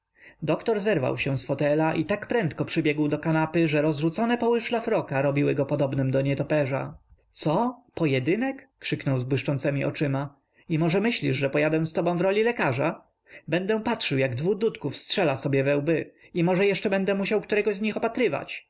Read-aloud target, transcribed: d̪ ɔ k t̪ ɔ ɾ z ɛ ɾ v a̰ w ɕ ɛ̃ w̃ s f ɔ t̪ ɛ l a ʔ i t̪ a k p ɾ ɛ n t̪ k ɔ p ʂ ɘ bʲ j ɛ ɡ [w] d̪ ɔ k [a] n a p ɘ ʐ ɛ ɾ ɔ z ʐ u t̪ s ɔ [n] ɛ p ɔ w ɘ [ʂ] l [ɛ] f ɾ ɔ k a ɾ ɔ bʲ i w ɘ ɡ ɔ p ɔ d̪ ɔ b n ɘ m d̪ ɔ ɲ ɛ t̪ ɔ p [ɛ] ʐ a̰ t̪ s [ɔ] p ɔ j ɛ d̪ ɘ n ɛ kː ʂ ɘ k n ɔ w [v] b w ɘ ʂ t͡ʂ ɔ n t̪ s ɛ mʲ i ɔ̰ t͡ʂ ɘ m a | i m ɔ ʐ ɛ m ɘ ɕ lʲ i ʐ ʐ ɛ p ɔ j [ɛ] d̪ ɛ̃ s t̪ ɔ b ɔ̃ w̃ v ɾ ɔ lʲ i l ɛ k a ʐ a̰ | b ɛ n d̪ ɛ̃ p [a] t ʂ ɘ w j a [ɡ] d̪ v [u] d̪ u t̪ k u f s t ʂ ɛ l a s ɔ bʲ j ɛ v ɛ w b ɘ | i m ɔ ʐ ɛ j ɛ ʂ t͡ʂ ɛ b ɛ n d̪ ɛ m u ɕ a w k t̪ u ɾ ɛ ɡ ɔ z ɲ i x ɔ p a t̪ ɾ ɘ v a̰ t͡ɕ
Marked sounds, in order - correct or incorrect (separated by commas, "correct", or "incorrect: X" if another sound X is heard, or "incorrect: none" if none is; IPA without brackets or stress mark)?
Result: correct, correct, correct, correct, incorrect: a, correct, correct, incorrect: z, incorrect: a, correct, correct, correct